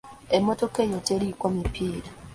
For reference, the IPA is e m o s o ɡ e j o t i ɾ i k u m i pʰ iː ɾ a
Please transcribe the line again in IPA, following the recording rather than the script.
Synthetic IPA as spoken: e m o t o k e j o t e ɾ i k o m i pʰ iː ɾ a

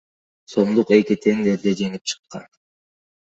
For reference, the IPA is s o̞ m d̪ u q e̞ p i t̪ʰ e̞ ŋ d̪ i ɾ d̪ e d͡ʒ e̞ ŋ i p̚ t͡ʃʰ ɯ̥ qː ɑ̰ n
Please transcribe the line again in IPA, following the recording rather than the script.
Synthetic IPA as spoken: s o̞ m d̪ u q e̞ k i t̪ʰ e̞ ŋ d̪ e ɾ d̪ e d͡ʒ e̞ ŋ i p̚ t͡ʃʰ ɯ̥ qː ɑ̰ n

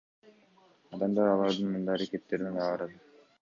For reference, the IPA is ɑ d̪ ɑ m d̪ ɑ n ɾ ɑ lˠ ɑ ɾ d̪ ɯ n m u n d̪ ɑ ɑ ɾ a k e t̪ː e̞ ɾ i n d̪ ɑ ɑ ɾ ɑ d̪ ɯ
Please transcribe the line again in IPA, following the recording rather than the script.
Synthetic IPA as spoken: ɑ d̪ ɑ m d̪ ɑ ɾ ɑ lˠ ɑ ɾ d̪ ɯ n m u n d̪ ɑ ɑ ɾ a k e t̪ː e̞ ɾ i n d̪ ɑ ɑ ɾ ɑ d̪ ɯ

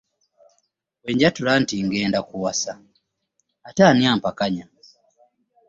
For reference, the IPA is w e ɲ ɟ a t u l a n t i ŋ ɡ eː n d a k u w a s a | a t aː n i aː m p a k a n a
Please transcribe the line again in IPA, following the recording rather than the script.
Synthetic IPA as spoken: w e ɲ ɟ a t u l a n t i ŋ ɡ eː n d a k u w a s a | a t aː n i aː m p a k a ɲ a

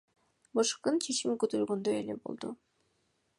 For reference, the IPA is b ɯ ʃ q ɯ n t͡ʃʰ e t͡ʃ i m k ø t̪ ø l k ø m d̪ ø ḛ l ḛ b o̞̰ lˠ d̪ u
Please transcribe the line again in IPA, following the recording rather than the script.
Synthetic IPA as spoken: b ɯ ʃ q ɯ n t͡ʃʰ e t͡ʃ i m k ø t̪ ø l ɡ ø n d̪ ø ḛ l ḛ b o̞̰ lˠ d̪ u

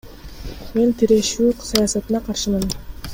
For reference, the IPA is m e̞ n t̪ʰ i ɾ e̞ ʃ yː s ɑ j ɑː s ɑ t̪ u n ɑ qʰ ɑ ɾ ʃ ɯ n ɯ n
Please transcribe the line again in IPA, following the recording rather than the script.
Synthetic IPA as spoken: m e̞ n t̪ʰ i ɾ e̞ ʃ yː s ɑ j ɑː s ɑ t̪ ɯ n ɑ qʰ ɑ ɾ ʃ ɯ m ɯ n

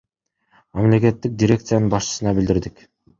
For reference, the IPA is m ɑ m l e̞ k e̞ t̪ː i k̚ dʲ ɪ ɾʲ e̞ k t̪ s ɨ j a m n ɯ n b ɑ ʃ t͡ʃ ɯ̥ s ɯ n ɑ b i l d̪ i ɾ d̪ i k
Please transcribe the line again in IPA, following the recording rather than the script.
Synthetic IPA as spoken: m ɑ m l e̞ k e̞ t̪ː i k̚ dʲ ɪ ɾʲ e̞ k t̪ s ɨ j a n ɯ n b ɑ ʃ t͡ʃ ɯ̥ s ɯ n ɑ b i l d̪ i ɾ d̪ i k

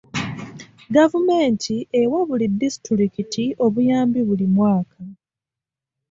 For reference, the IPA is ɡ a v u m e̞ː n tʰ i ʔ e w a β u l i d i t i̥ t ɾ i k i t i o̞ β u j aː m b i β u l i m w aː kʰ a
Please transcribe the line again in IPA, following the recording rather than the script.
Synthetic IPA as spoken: ɡ a v u m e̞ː n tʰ i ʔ e w a β u l i d i s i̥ t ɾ i k i t i o̞ β u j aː m b i β u l i m w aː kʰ a

